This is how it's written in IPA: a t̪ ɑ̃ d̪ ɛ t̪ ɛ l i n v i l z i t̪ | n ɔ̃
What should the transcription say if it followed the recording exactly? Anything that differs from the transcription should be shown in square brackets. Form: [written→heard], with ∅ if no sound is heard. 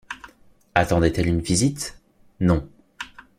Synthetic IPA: a t̪ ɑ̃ d̪ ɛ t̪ ɛ l [i→y] n v i [l→∅] z i t̪ | n ɔ̃